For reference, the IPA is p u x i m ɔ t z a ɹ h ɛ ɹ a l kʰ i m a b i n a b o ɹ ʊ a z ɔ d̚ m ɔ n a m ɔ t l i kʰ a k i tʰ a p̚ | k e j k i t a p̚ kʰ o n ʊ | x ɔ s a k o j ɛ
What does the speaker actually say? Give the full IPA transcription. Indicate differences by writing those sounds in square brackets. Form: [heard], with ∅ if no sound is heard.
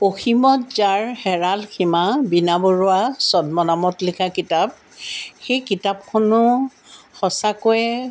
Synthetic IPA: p [o] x i m ɔ t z a ɹ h ɛ ɹ a l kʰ i m a b i n a b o ɹ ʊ a [s] ɔ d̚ m ɔ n a m ɔ t l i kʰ a k i [t] a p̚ | [x] e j k i t a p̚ kʰ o n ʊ | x ɔ s a k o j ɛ

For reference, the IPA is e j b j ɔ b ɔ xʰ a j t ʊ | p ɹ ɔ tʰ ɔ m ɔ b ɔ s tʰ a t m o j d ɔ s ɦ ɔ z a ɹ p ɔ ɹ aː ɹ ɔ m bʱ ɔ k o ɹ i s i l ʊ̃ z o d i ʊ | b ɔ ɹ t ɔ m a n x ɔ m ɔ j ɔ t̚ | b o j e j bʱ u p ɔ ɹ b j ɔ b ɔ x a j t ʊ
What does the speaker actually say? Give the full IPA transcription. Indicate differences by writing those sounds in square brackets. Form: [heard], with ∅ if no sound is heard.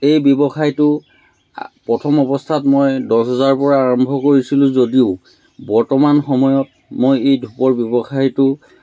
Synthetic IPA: e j b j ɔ b ɔ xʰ a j t ʊ | p ɹ ɔ tʰ ɔ m ɔ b ɔ s tʰ a t m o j d ɔ s ɦ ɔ z a ɹ p ɔ ɹ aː ɹ ɔ m bʱ ɔ k o ɹ i s i l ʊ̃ z o d i ʊ | b ɔ ɹ t ɔ m a n x ɔ m ɔ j ɔ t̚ | [m] o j e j [dʱ] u p ɔ ɹ b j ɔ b ɔ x a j t ʊ

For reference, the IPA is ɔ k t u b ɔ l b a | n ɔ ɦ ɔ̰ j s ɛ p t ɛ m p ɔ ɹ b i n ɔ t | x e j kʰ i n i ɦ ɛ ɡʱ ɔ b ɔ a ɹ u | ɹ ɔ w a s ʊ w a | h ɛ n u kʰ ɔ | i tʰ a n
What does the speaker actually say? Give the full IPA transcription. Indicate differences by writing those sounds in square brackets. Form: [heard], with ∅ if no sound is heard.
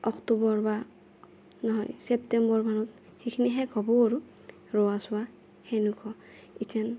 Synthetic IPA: ɔ k t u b ɔ [ɹ] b a | n ɔ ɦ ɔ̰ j s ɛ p t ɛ m [b] ɔ ɹ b [a] n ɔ t | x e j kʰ i n i ɦ ɛ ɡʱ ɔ b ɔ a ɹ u | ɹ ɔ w a s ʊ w a | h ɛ n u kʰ ɔ | i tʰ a n

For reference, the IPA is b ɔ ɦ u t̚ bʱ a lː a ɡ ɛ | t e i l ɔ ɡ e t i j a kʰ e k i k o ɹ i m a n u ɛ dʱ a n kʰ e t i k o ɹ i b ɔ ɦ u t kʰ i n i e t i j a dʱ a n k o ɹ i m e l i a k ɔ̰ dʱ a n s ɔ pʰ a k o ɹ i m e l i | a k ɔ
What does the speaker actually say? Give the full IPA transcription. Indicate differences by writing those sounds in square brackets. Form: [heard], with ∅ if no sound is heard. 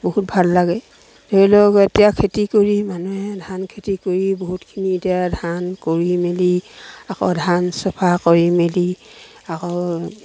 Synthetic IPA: b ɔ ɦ u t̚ bʱ a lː a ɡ ɛ | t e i l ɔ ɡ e t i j a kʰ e [t] i k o ɹ i m a n u ɛ dʱ a n kʰ e t i k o ɹ i b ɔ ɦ u t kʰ i n i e t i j a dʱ a n k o ɹ i m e l i a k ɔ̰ dʱ a n s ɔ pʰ a k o ɹ i m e l i | a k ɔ

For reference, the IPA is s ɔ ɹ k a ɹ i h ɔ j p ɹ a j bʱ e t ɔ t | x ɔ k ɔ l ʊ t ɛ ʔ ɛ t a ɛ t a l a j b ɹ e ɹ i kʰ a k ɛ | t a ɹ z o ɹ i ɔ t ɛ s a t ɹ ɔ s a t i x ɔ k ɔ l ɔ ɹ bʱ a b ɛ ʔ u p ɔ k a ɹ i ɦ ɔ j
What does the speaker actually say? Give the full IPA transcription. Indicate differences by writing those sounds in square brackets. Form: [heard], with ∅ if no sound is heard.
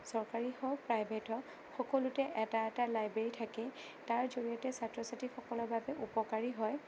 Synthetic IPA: s ɔ ɹ k a ɹ i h ɔ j p ɹ a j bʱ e t ɔ [∅] | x ɔ k ɔ l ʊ t ɛ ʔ ɛ t a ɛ t a l a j b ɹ e ɹ i [tʰ] a k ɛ | t a ɹ z o ɹ i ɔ t ɛ s a t ɹ ɔ s a t i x ɔ k ɔ l ɔ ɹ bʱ a b ɛ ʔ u p ɔ k a ɹ i ɦ ɔ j

